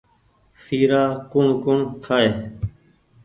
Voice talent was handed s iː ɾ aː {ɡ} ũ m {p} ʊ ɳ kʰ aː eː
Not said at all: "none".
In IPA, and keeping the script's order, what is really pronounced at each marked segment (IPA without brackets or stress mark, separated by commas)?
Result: k, k